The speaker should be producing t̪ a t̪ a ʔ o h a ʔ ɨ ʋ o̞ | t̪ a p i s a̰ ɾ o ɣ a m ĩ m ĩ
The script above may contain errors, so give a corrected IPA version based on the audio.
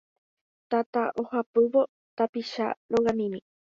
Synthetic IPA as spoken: t̪ a t̪ a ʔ o h a p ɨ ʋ o̞ | t̪ a p i ʃ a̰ ɾ o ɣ a m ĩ m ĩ

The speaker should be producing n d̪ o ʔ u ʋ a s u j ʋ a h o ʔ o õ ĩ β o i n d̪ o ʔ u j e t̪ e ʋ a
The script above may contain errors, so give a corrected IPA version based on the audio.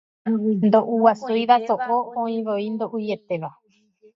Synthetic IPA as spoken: n d̪ o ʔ u w a s u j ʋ a s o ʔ o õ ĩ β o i n d̪ o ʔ u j e t̪ e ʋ a

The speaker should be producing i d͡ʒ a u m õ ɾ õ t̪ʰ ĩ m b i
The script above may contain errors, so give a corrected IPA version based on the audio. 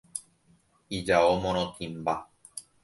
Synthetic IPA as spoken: i d͡ʒ a o m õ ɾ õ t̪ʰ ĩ m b a

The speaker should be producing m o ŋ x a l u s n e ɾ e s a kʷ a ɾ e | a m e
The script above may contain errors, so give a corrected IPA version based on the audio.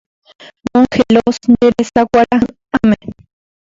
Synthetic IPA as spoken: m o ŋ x e l o s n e ɾ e s a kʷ a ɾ a | a m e

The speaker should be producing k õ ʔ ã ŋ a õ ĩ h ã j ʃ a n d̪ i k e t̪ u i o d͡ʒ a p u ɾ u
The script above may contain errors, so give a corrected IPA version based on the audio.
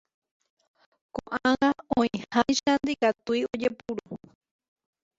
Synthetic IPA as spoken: k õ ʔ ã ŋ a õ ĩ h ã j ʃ a n d̪ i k a t̪ u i o d͡ʒ e p u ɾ u

